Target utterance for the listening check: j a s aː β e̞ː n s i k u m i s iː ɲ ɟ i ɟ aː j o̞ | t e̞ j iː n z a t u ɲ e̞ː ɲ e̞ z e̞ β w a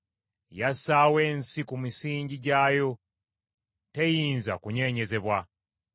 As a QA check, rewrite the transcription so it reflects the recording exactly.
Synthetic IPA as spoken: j a s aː w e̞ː n s i k u m i s iː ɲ ɟ i ɟ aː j o̞ | t e̞ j iː n z a k u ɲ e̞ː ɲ e̞ z e̞ β w a